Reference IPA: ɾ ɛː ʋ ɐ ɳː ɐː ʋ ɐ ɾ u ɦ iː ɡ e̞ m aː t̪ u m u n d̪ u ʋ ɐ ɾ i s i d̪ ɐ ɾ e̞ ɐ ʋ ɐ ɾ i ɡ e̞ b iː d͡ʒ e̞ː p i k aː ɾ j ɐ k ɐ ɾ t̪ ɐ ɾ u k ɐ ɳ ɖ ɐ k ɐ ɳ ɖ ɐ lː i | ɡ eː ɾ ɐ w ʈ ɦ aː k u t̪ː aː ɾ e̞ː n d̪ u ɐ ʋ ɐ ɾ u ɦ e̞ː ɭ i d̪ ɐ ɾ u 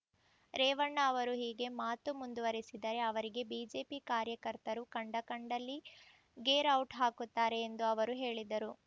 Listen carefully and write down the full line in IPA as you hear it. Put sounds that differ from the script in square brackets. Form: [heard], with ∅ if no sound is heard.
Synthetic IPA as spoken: ɾ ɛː ʋ ɐ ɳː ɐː ʋ ɐ ɾ u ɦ iː ɡ e̞ m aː t̪ u m u n d̪ u ʋ ɐ ɾ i s i d̪ ɐ ɾ e̞ ɐ ʋ ɐ ɾ i ɡ e̞ b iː d͡ʒ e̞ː p i k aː ɾ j ɐ k ɐ ɾ t̪ ɐ ɾ u k ɐ ɳ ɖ ɐ k ɐ ɳ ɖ ɐ lː i | ɡ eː ɾ ɐ w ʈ ɦ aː k u t̪ː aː ɾ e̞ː n d̪ u ɐ ʋ ɐ ɾ u ɦ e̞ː ɭ i d̪ ɐ ɾ u

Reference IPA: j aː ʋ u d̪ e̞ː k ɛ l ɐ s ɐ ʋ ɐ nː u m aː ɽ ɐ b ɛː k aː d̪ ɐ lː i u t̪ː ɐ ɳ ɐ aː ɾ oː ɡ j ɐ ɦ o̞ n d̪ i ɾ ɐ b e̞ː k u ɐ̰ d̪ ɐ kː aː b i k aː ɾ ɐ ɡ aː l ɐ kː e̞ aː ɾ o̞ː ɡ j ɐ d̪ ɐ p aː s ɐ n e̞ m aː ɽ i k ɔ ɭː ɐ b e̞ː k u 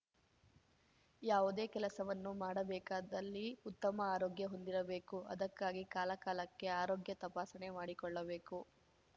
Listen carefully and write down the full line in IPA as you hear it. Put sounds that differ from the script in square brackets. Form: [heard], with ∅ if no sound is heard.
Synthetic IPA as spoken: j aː ʋ u d̪ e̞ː k ɛ l ɐ s ɐ ʋ ɐ nː u m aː ɽ ɐ b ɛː k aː d̪ ɐ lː i u t̪ː ɐ [m] ɐ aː ɾ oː ɡ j ɐ ɦ o̞ n d̪ i ɾ ɐ b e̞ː k u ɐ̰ d̪ ɐ kː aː [ɡ] i k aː [l] ɐ [k] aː l ɐ kː e̞ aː ɾ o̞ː ɡ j ɐ [t̪] ɐ p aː s ɐ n e̞ m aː ɽ i k ɔ ɭː ɐ b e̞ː k u

